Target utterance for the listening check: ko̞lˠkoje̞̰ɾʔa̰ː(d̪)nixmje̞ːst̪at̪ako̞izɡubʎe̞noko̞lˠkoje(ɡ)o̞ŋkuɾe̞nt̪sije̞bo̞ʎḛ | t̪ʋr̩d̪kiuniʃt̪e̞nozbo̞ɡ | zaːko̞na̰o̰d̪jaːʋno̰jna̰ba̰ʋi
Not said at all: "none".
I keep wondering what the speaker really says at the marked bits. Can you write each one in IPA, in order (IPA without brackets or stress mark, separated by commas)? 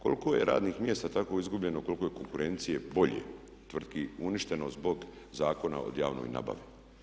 d̪, k